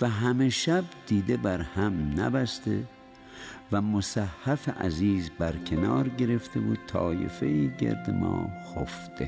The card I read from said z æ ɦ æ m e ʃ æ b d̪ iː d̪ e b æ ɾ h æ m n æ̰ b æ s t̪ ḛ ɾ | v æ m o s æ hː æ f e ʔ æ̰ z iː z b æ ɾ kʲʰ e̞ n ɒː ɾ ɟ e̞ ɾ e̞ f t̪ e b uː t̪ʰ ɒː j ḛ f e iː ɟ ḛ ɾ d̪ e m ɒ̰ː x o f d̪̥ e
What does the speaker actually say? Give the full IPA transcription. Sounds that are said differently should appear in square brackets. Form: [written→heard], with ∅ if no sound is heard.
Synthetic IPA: [z→v] æ ɦ æ m e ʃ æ b d̪ iː d̪ e b æ ɾ h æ m n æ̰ b æ s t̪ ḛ [ɾ→∅] | v æ m o s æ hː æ f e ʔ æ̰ z iː z b æ ɾ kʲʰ e̞ n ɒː ɾ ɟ e̞ ɾ e̞ f t̪ e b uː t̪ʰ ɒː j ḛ f e iː ɟ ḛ ɾ d̪ e m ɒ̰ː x o f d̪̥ e